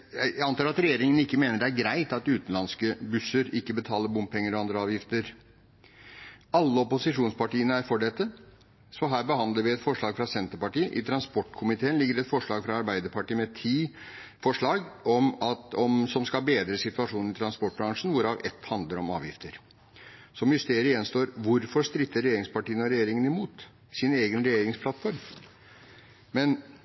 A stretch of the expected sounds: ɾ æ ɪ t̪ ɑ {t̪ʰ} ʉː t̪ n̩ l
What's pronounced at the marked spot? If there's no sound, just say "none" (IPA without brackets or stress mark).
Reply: t̪